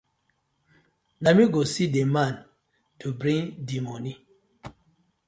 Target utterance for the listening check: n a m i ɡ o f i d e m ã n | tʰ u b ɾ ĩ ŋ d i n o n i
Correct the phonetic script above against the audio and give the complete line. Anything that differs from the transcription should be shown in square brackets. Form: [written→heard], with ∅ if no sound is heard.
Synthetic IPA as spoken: n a m i ɡ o [f→s] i d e m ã n | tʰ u b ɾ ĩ ŋ d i [n→m] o n i